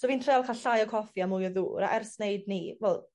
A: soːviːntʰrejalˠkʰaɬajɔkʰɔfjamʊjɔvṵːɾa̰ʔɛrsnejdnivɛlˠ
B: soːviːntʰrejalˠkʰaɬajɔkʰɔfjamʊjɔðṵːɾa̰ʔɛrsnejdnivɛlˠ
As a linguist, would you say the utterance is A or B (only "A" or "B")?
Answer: B